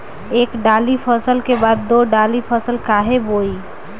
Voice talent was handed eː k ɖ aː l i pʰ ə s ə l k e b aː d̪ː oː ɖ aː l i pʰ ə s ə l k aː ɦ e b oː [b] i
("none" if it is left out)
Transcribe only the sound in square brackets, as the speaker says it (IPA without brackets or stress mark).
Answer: none